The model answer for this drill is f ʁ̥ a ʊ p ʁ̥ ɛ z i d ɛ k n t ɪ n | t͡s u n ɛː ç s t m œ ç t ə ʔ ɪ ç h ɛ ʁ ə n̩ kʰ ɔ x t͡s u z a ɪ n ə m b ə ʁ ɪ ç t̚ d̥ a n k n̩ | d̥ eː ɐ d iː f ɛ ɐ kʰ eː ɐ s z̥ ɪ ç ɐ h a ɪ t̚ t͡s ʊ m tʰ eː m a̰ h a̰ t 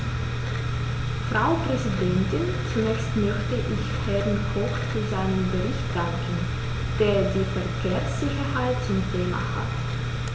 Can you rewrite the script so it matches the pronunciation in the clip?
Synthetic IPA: f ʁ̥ a ʊ p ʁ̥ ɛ z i d ɛ n t ɪ n | t͡s u n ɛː ç s t m œ ç t ə ʔ ɪ ç h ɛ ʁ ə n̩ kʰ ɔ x t͡s u z a ɪ n ə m b ə ʁ ɪ ç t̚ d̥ a ŋ k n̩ | d̥ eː ɐ d iː f ɛ ɐ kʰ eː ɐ s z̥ ɪ ç ɐ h a ɪ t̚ t͡s ʊ m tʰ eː m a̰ h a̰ t